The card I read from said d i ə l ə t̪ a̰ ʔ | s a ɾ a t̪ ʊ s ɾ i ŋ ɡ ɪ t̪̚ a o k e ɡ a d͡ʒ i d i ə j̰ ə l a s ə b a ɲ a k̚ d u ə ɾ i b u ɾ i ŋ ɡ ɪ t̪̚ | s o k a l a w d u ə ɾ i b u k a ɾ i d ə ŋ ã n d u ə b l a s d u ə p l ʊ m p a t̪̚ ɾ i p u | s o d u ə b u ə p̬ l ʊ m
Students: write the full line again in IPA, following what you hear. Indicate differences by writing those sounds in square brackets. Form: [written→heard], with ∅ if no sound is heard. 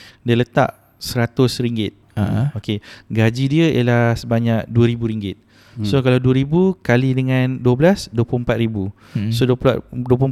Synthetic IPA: d i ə l ə t̪ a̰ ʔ | s [a→ə] ɾ a t̪ ʊ s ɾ i ŋ ɡ ɪ t̪̚ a o k e ɡ a d͡ʒ i d i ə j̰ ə l a s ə b a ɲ a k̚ d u ə ɾ i b u ɾ i ŋ ɡ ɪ t̪̚ | s o k a l a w d u ə ɾ i b u k a [ɾ→l] i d ə ŋ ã n d u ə b l a s d u ə p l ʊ m p a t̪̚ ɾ i [p→b] u | s o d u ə [b→d] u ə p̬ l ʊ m